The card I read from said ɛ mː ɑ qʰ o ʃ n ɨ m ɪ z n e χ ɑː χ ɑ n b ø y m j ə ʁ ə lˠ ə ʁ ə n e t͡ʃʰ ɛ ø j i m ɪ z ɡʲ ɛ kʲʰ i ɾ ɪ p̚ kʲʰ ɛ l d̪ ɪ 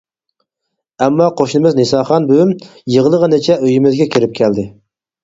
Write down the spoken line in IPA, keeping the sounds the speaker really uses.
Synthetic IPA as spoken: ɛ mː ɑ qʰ o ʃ n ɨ m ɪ z n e s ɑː χ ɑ n b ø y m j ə ʁ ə lˠ ə ʁ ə n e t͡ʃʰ ɛ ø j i m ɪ z ɡʲ ɛ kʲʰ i ɾ ɪ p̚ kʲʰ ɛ l d̪ ɪ

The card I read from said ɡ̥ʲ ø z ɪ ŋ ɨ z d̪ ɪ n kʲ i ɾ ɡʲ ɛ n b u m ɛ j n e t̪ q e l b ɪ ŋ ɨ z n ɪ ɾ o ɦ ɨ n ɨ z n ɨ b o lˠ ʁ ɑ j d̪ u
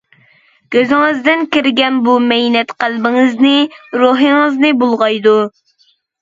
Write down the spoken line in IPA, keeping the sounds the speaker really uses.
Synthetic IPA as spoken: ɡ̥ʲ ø z ɪ ŋ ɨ z d̪ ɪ n kʲ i ɾ ɡʲ ɛ n b u m ɛ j n ɛ t̪ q æ l b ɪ ŋ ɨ z n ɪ ɾ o ɦ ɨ ŋ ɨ z n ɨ b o lˠ ʁ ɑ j d̪ u

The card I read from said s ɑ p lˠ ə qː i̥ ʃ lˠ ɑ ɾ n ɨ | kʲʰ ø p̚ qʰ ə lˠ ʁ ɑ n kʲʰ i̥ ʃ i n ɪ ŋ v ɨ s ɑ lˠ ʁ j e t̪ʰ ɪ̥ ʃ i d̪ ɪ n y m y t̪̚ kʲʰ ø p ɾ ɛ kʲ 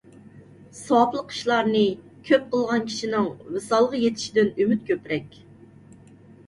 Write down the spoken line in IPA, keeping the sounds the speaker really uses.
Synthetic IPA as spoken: s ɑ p lˠ ə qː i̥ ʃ lˠ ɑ ɾ n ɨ | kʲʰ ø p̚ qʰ ə lˠ ʁ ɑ n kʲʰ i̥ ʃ i n ɪ ŋ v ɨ s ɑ lˠ ʁ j e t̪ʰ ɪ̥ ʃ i d̪ ɪ n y m y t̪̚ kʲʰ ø p ɾ ɛ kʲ

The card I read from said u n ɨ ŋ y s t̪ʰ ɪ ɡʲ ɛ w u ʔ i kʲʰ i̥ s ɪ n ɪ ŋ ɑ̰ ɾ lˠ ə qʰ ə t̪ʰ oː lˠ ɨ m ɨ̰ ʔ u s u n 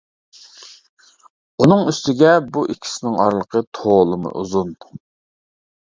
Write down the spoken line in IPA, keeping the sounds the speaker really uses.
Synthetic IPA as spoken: u n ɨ ŋ y s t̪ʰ ɪ ɡʲ ɛ b u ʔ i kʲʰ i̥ s ɪ n ɪ ŋ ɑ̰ ɾ lˠ ə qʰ ə t̪ʰ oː lˠ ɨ m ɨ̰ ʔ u z u n

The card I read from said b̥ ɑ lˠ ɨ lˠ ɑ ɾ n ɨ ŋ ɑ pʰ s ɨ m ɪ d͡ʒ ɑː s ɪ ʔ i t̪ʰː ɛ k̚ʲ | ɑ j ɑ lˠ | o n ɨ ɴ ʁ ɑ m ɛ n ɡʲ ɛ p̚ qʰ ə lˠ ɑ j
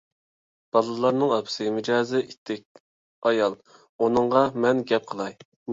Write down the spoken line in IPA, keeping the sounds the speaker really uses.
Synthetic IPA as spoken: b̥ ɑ lˠ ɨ lˠ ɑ ɾ n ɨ ŋ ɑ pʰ s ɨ m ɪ d͡ʒ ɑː z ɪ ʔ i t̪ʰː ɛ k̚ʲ | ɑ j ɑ lˠ | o n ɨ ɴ ʁ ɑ m ɛ n ɡʲ ɛ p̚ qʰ ə lˠ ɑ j

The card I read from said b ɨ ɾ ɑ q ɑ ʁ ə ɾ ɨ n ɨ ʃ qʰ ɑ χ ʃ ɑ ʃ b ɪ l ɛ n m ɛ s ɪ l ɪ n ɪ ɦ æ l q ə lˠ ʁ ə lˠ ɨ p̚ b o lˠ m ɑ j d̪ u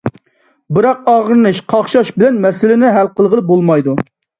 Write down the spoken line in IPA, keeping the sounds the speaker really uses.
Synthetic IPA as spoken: b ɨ ɾ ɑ q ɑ ʁ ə ɾ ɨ n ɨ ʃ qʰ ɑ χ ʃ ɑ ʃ b ɪ l ɛ n m ɛ s ɪ l ɪ n ɪ ɦ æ l q ə lˠ ʁ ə lˠ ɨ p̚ b o lˠ m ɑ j d̪ u

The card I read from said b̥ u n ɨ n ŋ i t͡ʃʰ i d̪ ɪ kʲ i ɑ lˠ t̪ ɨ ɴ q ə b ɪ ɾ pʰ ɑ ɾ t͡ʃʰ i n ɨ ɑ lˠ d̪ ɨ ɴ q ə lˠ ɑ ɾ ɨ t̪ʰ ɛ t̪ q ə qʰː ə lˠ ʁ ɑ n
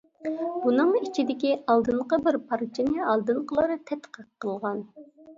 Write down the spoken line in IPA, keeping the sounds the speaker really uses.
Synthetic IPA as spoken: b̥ u n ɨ ŋ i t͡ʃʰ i d̪ ɪ kʲ i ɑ lˠ d̪ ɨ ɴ q ə b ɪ ɾ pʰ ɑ ɾ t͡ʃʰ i n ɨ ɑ lˠ d̪ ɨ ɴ q ə lˠ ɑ ɾ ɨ t̪ʰ ɛ t̪ q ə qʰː ə lˠ ʁ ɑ n

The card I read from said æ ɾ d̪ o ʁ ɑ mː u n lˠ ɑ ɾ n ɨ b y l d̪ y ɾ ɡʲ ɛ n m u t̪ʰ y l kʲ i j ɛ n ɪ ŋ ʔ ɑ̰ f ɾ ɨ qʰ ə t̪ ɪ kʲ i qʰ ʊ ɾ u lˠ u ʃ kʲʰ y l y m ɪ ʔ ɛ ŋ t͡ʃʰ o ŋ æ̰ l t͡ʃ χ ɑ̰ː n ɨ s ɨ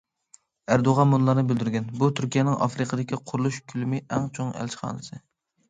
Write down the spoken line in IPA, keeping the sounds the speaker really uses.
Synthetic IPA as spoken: æ ɾ d̪ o ʁ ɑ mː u n lˠ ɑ ɾ n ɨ b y l d̪ y ɾ ɡʲ ɛ n b u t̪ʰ y ɾ kʲ i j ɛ n ɪ ŋ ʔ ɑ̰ f ɾ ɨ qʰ ə d̪ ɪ kʲ i qʰ ʊ ɾ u lˠ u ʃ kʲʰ y l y m ɪ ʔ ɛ ŋ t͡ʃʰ o ŋ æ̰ l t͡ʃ χ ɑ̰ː n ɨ s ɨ

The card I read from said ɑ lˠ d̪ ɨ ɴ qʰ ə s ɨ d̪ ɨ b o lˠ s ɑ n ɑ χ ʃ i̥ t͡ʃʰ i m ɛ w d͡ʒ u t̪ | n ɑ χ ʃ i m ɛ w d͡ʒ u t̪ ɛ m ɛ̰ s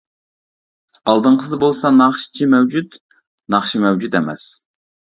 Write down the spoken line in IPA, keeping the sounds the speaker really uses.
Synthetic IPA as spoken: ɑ lˠ d̪ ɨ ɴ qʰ ə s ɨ d̪ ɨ b o lˠ s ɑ n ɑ χ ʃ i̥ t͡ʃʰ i m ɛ w d͡ʒ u t̪ | n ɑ χ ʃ i m ɛ w d͡ʒ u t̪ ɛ m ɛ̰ s

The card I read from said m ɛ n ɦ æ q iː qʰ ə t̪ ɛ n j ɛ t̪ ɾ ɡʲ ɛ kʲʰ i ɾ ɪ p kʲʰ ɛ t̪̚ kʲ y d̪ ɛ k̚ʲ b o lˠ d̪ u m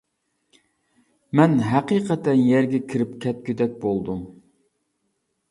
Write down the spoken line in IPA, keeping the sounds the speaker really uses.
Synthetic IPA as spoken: m ɛ n ɦ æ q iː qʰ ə t̪ ɛ n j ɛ ɾ ɡʲ ɛ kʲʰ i ɾ ɪ p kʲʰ ɛ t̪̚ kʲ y d̪ ɛ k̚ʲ b o lˠ d̪ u m

